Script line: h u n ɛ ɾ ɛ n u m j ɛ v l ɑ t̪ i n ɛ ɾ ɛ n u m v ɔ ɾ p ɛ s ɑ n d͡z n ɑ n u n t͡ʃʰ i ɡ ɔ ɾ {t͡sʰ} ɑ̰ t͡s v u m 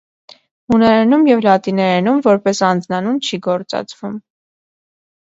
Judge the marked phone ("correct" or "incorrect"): incorrect